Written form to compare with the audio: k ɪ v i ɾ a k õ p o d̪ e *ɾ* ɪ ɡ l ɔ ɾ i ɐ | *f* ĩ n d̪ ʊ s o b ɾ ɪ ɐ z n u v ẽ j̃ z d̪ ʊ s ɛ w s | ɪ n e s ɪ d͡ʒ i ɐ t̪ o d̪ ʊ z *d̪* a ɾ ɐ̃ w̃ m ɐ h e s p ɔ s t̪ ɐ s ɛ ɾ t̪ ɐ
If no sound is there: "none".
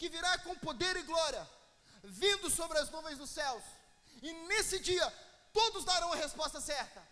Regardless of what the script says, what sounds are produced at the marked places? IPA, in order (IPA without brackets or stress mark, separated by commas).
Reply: ɾ, v, d̪